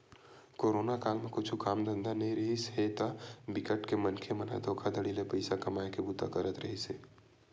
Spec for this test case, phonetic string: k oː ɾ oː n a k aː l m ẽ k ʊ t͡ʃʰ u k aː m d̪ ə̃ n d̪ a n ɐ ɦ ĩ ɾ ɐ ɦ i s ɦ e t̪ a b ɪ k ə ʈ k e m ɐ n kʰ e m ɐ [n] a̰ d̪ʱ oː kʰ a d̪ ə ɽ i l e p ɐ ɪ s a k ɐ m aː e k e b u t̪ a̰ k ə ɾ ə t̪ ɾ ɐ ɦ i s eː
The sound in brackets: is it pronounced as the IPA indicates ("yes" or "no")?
yes